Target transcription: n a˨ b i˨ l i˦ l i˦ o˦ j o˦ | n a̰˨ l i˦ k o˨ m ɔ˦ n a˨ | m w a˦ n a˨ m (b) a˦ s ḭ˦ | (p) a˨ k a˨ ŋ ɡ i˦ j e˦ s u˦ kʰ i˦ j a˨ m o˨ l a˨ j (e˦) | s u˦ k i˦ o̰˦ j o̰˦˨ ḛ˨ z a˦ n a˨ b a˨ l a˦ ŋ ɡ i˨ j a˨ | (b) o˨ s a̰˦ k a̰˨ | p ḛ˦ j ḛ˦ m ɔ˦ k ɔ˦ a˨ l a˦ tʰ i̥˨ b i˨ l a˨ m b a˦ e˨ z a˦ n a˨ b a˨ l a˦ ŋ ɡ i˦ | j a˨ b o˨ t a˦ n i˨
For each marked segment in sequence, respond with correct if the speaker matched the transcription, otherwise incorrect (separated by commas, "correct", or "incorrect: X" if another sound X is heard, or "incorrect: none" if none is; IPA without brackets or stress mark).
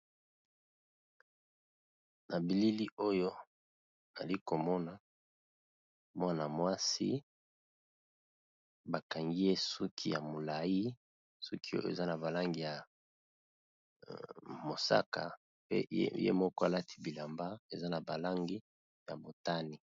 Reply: incorrect: w, incorrect: b, incorrect: i˦, incorrect: m